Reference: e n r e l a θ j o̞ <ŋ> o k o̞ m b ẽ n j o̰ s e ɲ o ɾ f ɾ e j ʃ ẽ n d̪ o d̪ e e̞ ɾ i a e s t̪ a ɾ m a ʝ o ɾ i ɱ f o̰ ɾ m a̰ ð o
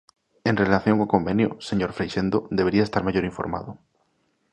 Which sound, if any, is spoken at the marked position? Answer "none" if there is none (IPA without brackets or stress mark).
ŋ